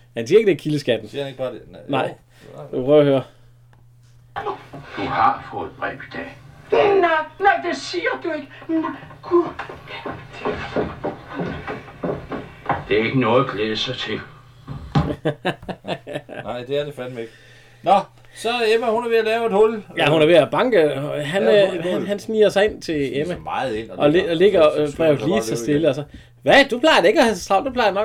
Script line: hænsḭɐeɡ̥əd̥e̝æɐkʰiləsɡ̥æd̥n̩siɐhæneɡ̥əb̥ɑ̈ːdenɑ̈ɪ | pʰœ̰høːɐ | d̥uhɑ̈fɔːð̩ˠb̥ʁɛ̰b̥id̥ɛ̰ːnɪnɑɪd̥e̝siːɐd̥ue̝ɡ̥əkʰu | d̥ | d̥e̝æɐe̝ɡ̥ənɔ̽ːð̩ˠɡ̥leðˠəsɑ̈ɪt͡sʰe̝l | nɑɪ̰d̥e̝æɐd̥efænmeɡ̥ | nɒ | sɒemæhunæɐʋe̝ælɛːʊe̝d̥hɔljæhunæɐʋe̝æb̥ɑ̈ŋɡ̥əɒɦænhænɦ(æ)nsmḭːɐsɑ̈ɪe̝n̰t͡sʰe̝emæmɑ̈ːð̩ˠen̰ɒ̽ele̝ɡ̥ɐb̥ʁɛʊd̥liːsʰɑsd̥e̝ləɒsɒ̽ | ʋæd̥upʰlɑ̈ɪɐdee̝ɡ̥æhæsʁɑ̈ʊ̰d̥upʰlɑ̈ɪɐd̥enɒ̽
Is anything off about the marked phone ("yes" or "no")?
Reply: no